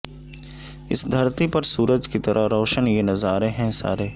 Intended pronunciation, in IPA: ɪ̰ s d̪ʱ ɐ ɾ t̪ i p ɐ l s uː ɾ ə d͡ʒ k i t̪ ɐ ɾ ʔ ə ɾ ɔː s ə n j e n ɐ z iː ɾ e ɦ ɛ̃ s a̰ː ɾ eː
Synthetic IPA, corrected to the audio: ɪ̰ s d̪ʱ ɐ ɾ t̪ i p ɐ ɾ s uː ɾ ə d͡ʒ k i t̪ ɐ ɾ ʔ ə ɾ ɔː ʃ ə n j e n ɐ z aː ɾ e ɦ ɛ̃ s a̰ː ɾ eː